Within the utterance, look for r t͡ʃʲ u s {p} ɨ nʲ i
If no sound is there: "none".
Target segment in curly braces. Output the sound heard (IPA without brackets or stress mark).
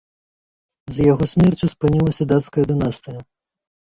p